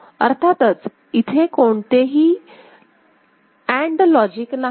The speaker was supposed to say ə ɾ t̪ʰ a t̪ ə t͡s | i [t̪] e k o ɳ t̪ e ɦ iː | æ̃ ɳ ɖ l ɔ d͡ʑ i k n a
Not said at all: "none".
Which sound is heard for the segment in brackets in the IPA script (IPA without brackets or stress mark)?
t̪ʰ